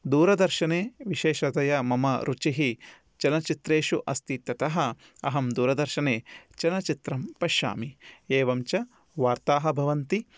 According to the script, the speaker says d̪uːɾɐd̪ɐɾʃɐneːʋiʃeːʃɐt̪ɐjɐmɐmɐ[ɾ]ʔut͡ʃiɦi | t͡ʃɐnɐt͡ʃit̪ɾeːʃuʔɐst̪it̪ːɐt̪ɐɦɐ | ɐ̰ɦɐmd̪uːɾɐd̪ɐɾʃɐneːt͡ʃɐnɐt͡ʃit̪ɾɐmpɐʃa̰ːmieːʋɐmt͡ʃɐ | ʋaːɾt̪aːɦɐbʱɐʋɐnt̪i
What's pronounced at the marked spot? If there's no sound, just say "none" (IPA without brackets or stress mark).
ɾ